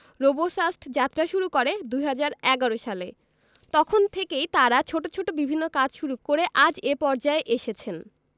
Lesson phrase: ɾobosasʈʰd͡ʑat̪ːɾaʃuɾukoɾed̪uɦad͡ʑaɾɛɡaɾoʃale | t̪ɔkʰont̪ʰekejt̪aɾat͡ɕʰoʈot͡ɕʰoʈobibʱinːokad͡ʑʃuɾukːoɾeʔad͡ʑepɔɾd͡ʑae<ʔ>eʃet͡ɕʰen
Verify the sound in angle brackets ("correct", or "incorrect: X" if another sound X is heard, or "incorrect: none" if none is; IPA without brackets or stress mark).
correct